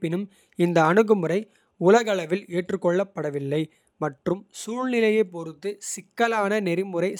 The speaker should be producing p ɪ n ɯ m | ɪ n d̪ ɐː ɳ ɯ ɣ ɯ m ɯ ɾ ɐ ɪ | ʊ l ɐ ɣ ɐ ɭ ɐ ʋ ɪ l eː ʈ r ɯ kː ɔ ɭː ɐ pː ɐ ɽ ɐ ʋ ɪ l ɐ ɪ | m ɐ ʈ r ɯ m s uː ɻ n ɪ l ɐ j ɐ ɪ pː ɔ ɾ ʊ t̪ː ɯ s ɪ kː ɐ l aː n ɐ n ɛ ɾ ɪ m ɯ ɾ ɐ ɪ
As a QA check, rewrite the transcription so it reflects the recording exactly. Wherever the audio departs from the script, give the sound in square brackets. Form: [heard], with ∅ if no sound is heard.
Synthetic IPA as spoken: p ɪ n ɯ m | ɪ n d̪ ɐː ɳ ɯ ɣ ɯ m ɯ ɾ ɐ ɪ | ʊ l ɐ ɣ ɐ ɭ ɐ ʋ ɪ l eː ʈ r ɯ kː ɔ ɭː ɐ pː ɐ ɽ ɐ ʋ ɪ [lː] ɐ ɪ | m ɐ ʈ r ɯ m s uː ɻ n ɪ l ɐ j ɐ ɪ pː ɔ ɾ [ɯ] t̪ː ɯ s ɪ kː ɐ l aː n ɐ n ɛ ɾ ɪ m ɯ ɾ ɐ ɪ